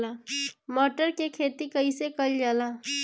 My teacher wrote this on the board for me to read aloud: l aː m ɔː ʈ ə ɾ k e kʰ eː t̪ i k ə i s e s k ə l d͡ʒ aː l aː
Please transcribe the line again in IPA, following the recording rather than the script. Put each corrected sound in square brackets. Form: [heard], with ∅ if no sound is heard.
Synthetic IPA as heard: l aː m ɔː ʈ ə ɾ k e kʰ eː t̪ i k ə i s e [∅] k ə l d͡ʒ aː l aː

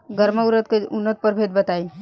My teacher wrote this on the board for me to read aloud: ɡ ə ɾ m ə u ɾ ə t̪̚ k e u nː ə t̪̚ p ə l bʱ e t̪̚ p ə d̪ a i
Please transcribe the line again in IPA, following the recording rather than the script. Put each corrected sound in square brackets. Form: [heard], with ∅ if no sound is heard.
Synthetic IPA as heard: ɡ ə ɾ m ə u ɾ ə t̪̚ k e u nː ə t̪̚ p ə [ɾ] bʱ e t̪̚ [b] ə [t̪] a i

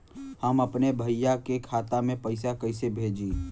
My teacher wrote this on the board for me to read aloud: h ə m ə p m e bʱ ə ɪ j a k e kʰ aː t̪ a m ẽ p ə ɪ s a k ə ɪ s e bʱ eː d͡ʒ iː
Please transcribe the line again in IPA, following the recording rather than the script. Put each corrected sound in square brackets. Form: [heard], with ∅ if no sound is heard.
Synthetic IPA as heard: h ə m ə p [n] e bʱ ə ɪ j a k e kʰ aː t̪ a m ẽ p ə ɪ s a k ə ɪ s e bʱ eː d͡ʒ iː

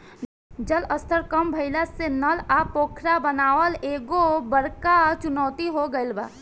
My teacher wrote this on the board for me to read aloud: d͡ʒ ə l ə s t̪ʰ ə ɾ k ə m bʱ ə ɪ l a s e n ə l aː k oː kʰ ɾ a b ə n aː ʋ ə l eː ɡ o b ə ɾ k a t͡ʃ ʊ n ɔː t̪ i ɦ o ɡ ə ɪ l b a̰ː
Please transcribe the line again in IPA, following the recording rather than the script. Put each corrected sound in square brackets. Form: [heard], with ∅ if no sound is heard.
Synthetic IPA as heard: d͡ʒ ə l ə s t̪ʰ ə ɾ k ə m bʱ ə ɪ l a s e n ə l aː [p] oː kʰ ɾ a b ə n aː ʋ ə l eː ɡ o b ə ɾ k a t͡ʃ ʊ n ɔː t̪ i ɦ o ɡ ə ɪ l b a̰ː

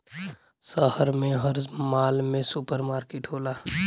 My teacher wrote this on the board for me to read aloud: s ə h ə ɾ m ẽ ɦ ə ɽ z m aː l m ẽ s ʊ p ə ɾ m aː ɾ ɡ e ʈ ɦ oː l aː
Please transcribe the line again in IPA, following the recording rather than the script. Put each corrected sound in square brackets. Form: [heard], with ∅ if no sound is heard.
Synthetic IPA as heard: s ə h ə ɾ m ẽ ɦ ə [ɾ] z m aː l m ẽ s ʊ p ə ɾ m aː ɾ [k] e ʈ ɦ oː l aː

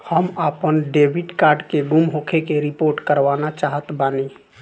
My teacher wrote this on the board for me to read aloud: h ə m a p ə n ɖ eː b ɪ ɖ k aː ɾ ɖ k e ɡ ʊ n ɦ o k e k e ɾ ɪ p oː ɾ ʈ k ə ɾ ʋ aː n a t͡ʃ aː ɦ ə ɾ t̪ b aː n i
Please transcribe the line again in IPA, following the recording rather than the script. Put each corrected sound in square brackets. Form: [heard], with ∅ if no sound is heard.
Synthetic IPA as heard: h ə m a p ə n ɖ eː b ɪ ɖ k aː ɾ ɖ k e ɡ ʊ [m] ɦ o [kʰ] e k e ɾ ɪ p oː ɾ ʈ k ə ɾ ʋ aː n a t͡ʃ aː ɦ ə [∅] t̪ b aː n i

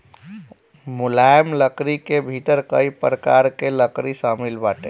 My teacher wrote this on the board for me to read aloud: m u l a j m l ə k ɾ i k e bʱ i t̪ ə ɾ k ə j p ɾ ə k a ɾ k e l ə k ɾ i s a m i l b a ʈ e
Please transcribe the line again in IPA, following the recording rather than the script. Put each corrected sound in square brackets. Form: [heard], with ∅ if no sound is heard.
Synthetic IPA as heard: m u l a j m l ə k ɾ i k e bʱ i t̪ ə ɾ k ə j p ɾ ə k a ɾ k e l ə k ɾ i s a m i l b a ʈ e

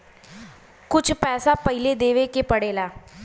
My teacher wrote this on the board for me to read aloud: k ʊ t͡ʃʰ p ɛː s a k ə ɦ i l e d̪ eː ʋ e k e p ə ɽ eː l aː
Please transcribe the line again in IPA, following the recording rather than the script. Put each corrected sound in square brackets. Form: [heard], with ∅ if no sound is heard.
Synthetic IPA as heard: k ʊ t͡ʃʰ p ɛː s a [p] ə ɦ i l e d̪ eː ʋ e k e p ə ɽ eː l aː

